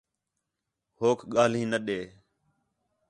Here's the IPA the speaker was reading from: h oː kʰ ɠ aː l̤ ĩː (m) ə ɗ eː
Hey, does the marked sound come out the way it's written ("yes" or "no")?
no